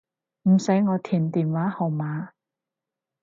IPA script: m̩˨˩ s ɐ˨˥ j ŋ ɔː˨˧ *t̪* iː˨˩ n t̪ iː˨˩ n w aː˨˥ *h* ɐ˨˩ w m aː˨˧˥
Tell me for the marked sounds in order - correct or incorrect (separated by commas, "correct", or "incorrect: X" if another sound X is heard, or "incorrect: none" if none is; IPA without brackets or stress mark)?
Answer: incorrect: t̪ʰ, correct